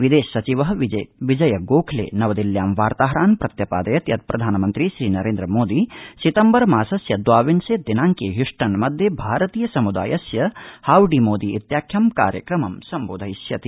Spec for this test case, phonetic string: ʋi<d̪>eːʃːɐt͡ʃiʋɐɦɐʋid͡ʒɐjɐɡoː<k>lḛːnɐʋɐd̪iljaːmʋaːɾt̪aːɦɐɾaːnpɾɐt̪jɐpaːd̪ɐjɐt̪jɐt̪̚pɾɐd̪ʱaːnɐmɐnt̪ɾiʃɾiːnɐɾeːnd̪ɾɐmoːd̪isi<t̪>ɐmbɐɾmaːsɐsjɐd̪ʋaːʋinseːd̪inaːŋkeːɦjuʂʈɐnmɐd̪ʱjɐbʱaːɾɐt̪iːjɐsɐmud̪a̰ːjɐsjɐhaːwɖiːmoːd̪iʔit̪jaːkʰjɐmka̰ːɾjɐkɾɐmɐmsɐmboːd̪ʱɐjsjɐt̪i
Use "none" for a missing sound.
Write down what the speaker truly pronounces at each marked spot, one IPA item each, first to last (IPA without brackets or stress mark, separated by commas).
d̪, kʰ, t̪